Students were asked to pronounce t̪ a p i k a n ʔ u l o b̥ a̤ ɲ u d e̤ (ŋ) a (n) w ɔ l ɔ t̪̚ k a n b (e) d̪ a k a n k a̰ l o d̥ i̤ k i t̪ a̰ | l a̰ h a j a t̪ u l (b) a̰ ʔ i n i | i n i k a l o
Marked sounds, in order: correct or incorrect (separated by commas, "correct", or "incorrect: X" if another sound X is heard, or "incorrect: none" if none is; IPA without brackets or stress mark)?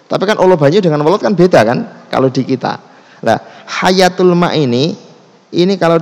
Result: correct, correct, correct, incorrect: m